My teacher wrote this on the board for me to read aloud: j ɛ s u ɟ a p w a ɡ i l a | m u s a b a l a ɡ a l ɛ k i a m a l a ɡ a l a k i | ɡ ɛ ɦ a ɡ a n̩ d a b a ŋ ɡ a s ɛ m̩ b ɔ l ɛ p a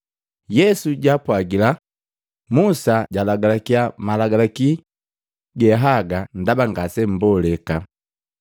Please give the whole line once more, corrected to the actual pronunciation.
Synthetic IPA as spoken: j ɛ s u ɟ a p w a ɡ i l a | m u s a ɟ a l a ɡ a l a k i a m a l a ɡ a l a k i | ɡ ɛ ɦ a ɡ a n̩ d a b a ŋ ɡ a s ɛ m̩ b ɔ l ɛ k a